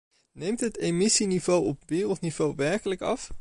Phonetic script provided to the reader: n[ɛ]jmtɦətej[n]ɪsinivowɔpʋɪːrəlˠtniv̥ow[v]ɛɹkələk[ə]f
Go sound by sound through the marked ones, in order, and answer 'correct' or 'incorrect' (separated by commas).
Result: incorrect, incorrect, incorrect, incorrect